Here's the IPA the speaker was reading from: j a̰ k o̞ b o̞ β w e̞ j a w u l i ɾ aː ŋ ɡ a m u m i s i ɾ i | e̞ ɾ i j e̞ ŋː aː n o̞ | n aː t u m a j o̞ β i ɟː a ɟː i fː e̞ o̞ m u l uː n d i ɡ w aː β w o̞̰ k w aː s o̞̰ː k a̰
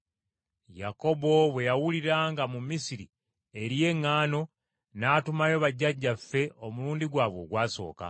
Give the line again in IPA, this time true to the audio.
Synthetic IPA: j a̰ k o̞ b o̞ β w e̞ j a w u l i ɾ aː ŋ ɡ a m u m i s i ɾ i | e̞ ɾ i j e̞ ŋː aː n o̞ | n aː t u m a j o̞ β a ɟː a ɟː a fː e̞ o̞ m u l uː n d i ɡ w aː β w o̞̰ ɡ w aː s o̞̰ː k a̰